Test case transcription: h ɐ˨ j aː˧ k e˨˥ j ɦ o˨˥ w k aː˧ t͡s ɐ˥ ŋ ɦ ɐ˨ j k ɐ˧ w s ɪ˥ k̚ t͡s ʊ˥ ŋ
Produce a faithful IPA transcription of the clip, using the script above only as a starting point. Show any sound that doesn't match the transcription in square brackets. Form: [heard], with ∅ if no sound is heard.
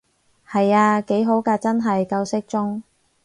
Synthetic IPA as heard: h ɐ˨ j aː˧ k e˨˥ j ɦ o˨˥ w k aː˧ t͡s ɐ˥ [n] ɦ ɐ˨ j k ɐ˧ w s ɪ˥ k̚ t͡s ʊ˥ ŋ